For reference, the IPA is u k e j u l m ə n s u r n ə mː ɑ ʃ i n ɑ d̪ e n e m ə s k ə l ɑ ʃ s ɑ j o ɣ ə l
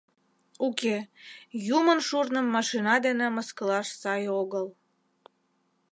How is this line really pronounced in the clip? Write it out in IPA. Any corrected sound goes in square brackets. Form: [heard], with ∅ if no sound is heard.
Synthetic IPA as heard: u k e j u [∅] m ə n [ʃ] u r n ə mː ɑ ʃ i n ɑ d̪ e n e m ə s k ə l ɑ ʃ s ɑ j o ɣ ə l

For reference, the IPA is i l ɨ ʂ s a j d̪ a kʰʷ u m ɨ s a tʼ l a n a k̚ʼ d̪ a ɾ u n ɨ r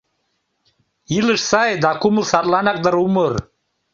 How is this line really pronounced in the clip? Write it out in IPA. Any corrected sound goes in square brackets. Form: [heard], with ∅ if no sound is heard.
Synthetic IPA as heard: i l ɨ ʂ s a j d̪ a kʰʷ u m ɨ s a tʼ l a n a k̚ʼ d̪ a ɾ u [m] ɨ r

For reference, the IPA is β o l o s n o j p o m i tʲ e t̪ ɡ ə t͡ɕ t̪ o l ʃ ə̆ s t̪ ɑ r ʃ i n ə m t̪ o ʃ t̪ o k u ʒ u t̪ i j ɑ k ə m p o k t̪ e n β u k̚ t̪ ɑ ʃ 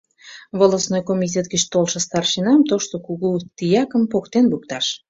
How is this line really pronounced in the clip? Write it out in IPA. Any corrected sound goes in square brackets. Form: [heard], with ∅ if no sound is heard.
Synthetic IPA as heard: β o l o s n o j [k] o m i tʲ e t̪ ɡ ə t͡ɕ t̪ o l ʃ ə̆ s t̪ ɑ r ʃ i n [ɑ] m t̪ o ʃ t̪ o k u [ɣ] u t̪ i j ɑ k ə m p o k t̪ e n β u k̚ t̪ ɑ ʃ

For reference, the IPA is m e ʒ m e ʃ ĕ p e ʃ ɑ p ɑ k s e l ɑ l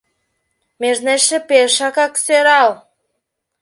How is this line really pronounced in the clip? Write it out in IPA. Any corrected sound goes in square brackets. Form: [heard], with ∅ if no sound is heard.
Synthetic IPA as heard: m e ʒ [n] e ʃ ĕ p e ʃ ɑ [k] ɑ k s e [ɾ] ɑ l

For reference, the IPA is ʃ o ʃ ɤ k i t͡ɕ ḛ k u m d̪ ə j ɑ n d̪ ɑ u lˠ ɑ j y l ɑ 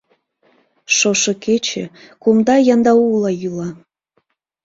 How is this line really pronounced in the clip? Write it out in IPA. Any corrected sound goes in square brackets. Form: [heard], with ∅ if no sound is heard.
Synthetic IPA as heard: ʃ o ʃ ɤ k [e] t͡ɕ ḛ k u m d̪ [ɑ] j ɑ n d̪ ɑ u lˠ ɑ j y l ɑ

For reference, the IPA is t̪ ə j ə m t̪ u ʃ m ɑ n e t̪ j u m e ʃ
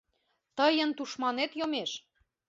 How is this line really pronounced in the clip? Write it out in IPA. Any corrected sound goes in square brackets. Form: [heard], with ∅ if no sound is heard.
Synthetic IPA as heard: t̪ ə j ə [n] t̪ u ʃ m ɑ n e t̪ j [o] m e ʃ

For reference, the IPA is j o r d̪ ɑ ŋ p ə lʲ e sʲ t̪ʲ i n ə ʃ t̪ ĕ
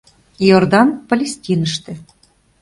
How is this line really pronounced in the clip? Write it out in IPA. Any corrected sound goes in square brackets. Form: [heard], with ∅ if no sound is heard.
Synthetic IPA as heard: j o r d̪ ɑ [n] p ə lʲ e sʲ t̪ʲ i n ə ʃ t̪ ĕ

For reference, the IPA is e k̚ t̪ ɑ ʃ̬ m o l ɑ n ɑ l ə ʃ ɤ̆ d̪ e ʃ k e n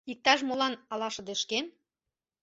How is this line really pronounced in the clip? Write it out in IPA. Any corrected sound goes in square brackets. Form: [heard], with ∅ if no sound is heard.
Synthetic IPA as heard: [i] k̚ t̪ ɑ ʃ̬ m o l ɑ n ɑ l [ɑ] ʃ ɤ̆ d̪ e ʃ k e n

